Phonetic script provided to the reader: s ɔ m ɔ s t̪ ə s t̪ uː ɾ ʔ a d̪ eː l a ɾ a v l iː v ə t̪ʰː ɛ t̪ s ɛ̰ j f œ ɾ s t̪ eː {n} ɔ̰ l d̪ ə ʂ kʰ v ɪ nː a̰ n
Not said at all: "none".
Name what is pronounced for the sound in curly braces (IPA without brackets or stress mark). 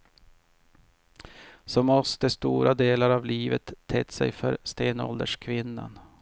n